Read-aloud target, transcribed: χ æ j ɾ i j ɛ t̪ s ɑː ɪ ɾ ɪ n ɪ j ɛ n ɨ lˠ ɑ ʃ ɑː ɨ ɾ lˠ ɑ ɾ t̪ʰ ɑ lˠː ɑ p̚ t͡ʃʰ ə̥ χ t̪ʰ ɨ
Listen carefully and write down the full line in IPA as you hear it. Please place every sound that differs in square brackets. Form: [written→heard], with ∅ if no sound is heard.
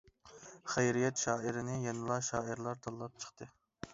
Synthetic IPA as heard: χ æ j ɾ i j ɛ t̪ [s→ʃ] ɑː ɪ ɾ ɪ n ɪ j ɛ n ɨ lˠ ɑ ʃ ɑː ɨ ɾ lˠ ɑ ɾ t̪ʰ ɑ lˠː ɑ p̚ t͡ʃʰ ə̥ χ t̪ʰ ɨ

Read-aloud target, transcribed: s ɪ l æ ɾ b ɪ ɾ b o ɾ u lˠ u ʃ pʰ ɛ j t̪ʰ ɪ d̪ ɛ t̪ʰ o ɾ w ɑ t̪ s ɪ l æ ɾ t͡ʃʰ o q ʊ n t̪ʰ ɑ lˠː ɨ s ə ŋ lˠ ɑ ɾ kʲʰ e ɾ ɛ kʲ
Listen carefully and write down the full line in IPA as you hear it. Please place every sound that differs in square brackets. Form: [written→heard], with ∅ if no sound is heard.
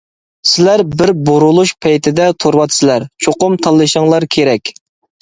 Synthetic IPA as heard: s ɪ l æ ɾ b ɪ ɾ b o ɾ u lˠ u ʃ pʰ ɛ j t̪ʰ ɪ d̪ ɛ t̪ʰ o ɾ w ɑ t̪ s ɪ l æ ɾ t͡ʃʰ o q ʊ [n→m] t̪ʰ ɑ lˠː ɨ [s→ʃ] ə ŋ lˠ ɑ ɾ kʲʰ e ɾ ɛ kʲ

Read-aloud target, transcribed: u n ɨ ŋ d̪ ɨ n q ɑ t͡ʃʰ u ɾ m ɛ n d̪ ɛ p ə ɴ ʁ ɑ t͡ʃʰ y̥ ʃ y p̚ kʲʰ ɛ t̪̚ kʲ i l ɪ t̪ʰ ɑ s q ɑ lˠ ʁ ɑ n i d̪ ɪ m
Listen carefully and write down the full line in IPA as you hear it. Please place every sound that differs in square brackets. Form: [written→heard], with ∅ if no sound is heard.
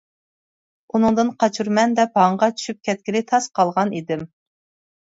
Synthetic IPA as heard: u n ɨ ŋ d̪ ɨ n q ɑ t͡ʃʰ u ɾ m ɛ n d̪ ɛ p [ə→ɑ] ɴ ʁ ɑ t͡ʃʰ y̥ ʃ y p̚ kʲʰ ɛ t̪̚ kʲ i l ɪ t̪ʰ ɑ s q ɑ lˠ ʁ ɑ n i d̪ ɪ m

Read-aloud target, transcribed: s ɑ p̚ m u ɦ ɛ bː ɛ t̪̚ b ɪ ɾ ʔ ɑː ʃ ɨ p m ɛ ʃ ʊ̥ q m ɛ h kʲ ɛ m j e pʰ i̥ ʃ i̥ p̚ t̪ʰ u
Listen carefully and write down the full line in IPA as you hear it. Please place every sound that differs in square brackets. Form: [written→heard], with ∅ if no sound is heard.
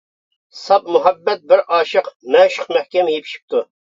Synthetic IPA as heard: s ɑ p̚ m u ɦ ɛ bː ɛ t̪̚ b ɪ ɾ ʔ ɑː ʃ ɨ [p→q] m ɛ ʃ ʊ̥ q m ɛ h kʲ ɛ m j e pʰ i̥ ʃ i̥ p̚ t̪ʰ u

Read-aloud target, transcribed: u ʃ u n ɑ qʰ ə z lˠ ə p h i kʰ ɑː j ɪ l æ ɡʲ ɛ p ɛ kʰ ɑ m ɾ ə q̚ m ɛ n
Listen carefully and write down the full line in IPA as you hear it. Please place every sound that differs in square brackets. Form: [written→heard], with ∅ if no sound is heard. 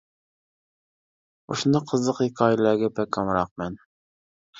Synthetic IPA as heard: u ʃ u n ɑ qʰ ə z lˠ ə [p→q] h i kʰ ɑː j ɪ l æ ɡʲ ɛ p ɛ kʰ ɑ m ɾ [ə→ɑ] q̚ m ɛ n

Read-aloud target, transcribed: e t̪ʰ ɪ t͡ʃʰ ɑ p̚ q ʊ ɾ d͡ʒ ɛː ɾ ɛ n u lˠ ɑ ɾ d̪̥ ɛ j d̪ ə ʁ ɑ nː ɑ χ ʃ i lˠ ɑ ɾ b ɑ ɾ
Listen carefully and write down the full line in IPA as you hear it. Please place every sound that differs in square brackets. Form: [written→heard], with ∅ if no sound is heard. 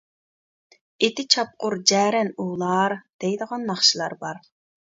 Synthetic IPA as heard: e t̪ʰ ɪ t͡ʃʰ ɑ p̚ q ʊ ɾ d͡ʒ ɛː ɾ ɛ n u lˠ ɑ ɾ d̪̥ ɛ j d̪ ə ʁ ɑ nː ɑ χ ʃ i lˠ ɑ ɾ b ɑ ɾ

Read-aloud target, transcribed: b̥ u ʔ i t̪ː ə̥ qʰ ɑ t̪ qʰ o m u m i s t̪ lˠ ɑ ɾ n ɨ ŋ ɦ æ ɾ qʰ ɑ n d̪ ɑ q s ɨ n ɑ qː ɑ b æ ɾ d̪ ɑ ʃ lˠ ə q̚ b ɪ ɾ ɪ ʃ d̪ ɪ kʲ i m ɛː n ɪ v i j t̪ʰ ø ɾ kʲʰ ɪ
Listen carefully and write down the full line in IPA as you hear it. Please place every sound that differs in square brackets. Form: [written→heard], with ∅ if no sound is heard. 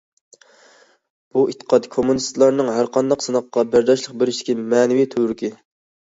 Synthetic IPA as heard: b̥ u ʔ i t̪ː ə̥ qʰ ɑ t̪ [qʰ→kʰ] o m u [m→n] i s t̪ lˠ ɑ ɾ n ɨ ŋ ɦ æ ɾ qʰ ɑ n d̪ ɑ q s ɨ n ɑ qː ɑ b æ ɾ d̪ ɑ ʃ lˠ ə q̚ b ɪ ɾ ɪ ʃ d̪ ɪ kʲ i m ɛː n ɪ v i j t̪ʰ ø ɾ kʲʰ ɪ

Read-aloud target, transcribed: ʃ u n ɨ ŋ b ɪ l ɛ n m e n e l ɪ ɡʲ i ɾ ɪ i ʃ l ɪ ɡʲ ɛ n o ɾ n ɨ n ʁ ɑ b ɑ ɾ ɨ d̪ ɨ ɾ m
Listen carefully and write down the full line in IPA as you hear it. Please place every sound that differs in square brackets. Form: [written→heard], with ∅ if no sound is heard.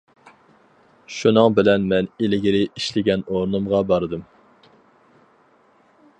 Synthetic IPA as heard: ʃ u n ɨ ŋ b ɪ l ɛ n m [e→ɛ] n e l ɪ ɡʲ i ɾ ɪ i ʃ l ɪ ɡʲ ɛ n o ɾ n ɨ [n→m] ʁ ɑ b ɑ ɾ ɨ d̪ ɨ [ɾ→∅] m

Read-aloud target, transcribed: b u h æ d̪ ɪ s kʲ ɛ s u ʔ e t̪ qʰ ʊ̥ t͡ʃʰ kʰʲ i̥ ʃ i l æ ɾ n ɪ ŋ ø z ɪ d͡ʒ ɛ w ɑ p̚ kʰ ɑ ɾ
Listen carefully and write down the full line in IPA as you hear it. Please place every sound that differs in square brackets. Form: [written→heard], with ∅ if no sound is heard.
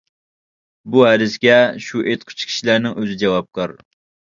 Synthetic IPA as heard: b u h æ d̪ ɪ s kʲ ɛ [s→ʃ] u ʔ e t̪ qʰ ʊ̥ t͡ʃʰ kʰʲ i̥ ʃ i l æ ɾ n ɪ ŋ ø z ɪ d͡ʒ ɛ w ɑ p̚ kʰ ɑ ɾ

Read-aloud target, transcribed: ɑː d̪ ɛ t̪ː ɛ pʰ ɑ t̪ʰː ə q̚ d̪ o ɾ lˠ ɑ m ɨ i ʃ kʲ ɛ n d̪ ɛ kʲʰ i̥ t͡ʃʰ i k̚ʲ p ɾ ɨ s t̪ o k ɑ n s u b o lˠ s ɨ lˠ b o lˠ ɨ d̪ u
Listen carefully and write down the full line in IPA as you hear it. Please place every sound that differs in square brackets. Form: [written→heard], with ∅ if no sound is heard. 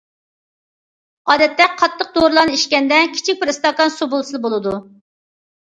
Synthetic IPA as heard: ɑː d̪ ɛ t̪ː ɛ [pʰ→qʰ] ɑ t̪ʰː ə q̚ d̪ o ɾ lˠ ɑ [m→n] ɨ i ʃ kʲ ɛ n d̪ ɛ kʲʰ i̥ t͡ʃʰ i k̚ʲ p ɾ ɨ s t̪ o k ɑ n s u b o lˠ s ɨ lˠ b o lˠ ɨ d̪ u

